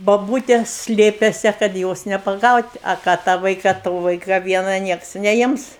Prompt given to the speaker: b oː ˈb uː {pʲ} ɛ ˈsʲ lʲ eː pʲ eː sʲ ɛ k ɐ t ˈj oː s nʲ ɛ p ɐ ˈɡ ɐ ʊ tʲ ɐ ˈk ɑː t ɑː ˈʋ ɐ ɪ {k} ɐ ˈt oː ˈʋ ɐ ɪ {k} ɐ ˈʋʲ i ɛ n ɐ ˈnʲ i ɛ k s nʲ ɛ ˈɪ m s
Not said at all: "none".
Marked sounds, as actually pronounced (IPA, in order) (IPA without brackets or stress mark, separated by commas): tʲ, k, k